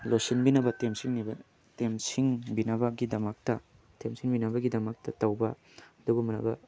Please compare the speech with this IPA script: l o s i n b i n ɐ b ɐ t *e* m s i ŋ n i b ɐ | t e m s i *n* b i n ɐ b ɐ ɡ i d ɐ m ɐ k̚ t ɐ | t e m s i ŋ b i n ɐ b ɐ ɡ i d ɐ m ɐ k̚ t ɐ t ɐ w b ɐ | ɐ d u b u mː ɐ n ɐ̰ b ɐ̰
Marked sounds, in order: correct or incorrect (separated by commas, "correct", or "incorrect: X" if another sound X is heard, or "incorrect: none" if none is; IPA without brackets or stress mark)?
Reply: correct, incorrect: ŋ